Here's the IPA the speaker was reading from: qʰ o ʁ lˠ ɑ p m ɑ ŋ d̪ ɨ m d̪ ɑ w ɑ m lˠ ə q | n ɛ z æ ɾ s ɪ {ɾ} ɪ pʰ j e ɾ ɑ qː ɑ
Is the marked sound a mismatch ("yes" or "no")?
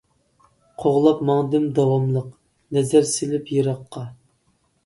yes